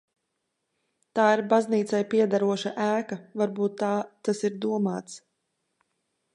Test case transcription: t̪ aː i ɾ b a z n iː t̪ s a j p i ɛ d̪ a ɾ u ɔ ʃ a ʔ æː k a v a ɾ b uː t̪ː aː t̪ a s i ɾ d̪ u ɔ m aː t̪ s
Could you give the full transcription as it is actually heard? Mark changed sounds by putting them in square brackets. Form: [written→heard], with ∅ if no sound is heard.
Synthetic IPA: t̪ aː i ɾ b a z n iː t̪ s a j p i ɛ d̪ a ɾ u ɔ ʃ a ʔ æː k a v a ɾ b uː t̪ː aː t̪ a s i ɾ d̪ u ɔ m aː t̪ s

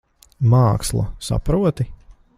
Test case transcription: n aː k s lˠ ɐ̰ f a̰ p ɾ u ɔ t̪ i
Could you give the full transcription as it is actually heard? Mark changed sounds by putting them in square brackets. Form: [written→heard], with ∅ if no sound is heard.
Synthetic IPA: [n→m] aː k s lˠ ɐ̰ [f→s] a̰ p ɾ u ɔ t̪ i

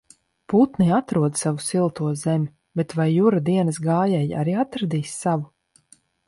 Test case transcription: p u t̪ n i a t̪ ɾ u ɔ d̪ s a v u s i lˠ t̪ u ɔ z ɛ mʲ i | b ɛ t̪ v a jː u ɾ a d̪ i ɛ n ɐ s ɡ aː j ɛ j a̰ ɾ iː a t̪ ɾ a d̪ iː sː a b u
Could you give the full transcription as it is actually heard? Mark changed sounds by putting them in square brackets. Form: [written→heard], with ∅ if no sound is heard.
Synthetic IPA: p u t̪ n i a t̪ ɾ u ɔ d̪ s a v u s i lˠ t̪ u ɔ z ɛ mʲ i | b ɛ t̪ v a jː u ɾ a d̪ i ɛ n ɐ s ɡ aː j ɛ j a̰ ɾ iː a t̪ ɾ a d̪ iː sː a [b→v] u

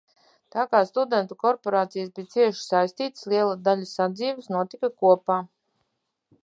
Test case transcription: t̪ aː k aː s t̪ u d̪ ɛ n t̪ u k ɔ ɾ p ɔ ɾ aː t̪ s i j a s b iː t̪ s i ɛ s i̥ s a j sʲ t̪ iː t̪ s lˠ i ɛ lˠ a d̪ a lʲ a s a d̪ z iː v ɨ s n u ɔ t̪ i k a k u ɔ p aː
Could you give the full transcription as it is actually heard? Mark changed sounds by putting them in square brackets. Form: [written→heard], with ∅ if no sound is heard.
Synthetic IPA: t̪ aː k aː s t̪ u d̪ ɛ n t̪ u k ɔ ɾ p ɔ ɾ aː t̪ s i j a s b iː t̪ s i ɛ [s→ʃ] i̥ s a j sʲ t̪ iː t̪ s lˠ i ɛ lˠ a d̪ a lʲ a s a d̪ z iː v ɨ s n u ɔ t̪ i k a k u ɔ p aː

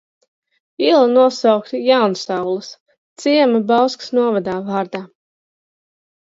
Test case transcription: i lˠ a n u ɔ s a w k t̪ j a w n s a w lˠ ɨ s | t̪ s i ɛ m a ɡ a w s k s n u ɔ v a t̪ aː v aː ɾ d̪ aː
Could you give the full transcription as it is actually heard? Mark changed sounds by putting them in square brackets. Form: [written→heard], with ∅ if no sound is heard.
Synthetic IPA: i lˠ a n u ɔ s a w k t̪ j a w n s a w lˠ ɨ s | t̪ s i ɛ m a [ɡ→b] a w s k s n u ɔ v a [t̪→d̪] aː v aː ɾ d̪ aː

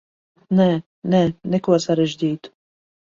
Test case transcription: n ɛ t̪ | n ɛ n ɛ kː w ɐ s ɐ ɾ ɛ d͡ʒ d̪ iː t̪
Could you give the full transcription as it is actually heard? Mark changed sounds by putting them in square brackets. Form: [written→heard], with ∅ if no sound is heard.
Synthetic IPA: n ɛ [t̪→∅] | n ɛ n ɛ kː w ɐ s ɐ ɾ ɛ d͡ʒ d̪ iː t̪

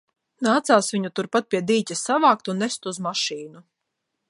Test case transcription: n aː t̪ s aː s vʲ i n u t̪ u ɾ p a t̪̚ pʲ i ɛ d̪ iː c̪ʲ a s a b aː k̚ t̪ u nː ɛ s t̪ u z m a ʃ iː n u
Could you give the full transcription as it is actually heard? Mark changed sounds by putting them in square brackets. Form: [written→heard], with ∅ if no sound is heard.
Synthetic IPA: n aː t̪ s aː s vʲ i [n→ɲ] u t̪ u ɾ p a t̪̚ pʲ i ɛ d̪ iː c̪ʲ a s a [b→v] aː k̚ t̪ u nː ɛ s t̪ u z m a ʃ iː n u

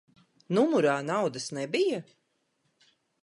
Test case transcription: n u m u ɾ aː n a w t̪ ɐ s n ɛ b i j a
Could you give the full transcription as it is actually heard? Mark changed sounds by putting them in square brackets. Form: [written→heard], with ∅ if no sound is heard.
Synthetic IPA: n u m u ɾ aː n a w [t̪→d̪] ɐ s n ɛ b i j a

